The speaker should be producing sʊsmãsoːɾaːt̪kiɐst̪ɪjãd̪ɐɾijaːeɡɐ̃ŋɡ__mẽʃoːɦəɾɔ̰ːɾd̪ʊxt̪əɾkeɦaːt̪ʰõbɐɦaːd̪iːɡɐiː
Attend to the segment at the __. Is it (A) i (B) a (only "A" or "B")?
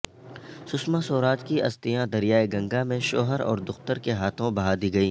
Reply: B